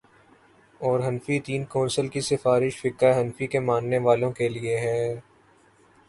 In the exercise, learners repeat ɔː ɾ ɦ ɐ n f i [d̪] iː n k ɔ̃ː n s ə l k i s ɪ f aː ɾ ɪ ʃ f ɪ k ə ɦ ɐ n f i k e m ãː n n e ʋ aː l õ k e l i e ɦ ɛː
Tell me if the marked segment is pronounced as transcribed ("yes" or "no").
no